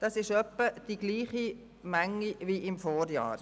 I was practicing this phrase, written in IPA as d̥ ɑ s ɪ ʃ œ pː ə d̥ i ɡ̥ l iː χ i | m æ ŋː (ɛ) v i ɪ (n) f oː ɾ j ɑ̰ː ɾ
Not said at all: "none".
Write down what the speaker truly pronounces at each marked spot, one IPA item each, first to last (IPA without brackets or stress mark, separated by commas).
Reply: i, m